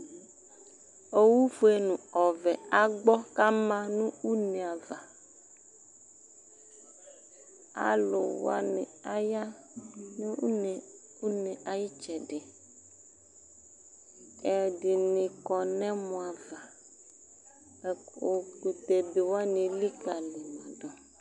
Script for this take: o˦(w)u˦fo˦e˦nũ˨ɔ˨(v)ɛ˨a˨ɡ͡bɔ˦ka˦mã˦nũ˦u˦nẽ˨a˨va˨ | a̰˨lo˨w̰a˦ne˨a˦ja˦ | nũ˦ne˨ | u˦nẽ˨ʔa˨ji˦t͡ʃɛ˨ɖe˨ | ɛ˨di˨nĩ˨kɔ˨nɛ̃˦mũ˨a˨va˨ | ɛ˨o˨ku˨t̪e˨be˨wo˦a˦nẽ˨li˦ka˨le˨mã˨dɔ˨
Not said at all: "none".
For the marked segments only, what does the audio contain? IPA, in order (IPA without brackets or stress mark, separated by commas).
w, v